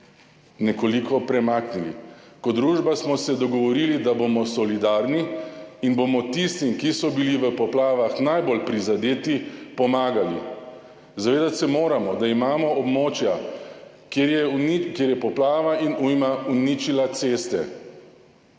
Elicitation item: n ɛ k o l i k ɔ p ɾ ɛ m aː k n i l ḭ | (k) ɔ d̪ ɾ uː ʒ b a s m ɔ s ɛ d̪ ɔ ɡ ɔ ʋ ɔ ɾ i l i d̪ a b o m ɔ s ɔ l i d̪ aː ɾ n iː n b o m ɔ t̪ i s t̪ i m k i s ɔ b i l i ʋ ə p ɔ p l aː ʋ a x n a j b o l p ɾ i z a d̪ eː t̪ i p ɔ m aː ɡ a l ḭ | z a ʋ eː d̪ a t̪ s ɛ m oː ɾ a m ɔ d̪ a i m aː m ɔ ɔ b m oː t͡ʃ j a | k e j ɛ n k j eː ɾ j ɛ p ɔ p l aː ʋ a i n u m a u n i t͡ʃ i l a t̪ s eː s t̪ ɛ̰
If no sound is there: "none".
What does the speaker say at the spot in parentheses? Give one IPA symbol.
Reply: k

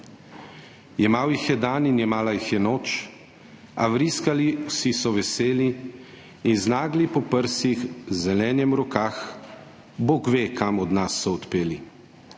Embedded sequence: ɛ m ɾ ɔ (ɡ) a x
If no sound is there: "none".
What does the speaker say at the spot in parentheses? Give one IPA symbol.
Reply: k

